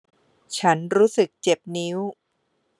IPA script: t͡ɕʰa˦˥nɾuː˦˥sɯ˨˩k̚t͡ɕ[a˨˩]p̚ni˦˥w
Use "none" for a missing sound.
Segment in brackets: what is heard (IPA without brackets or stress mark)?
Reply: e˨˩